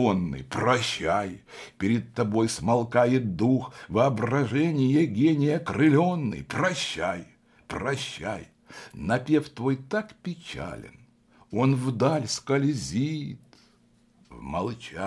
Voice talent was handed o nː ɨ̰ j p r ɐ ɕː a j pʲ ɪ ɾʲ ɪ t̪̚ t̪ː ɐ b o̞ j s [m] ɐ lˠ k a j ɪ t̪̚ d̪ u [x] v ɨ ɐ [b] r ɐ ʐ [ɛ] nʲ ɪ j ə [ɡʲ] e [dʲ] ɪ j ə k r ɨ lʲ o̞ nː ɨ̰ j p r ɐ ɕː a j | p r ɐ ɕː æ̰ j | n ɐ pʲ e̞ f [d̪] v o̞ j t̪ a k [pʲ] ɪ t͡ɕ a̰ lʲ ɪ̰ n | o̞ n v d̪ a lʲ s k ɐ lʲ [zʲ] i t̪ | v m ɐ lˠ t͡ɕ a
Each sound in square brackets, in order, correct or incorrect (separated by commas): correct, correct, correct, correct, correct, incorrect, incorrect, correct, correct